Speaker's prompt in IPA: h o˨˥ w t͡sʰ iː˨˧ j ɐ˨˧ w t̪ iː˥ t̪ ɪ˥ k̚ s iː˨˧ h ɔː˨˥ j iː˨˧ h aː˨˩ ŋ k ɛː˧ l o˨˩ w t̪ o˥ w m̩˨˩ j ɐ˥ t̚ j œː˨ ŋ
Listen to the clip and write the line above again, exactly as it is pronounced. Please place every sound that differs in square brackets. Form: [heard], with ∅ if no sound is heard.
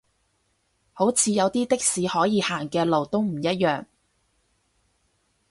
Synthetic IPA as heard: h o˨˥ w t͡sʰ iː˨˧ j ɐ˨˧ w t̪ iː˥ t̪ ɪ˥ k̚ s iː˨˧ h ɔː˨˥ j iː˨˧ h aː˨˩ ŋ k ɛː˧ l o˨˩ w t̪ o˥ w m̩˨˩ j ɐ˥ t̚ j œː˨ ŋ